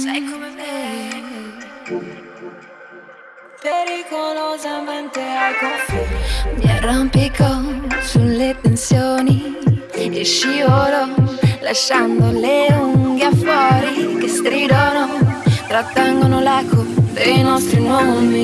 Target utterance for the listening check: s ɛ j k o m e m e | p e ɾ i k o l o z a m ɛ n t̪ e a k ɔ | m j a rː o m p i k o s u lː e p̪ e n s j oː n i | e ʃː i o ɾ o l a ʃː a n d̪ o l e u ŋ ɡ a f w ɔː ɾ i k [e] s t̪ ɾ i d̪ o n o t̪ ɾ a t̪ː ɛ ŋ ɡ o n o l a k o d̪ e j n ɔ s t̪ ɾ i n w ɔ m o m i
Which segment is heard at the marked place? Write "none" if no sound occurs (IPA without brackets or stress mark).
e